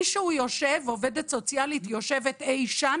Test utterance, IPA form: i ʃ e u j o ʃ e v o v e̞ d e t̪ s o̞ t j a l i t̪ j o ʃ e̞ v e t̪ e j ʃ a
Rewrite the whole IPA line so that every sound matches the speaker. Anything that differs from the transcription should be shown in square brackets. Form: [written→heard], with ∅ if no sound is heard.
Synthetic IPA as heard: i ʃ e u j o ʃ e v o v e̞ d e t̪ s o̞ [t→t͡s] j a l i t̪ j o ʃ e̞ v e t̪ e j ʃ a